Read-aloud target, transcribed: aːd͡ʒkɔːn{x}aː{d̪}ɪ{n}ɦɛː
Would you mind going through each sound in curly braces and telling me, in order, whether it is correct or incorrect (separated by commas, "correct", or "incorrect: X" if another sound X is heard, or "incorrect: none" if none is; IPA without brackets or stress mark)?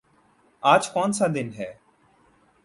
incorrect: s, correct, correct